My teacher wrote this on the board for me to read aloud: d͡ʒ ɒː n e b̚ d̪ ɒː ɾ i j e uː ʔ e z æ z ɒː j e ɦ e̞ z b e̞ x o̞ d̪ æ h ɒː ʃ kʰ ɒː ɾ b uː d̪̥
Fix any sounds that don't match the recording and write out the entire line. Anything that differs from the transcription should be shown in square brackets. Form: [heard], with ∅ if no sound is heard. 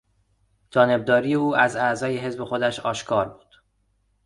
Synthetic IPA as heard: d͡ʒ ɒː n e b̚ d̪ ɒː ɾ i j e uː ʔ [æ] z æ z ɒː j e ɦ e̞ z b e̞ x o̞ d̪ æ [ʃ] ɒː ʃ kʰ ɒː ɾ b uː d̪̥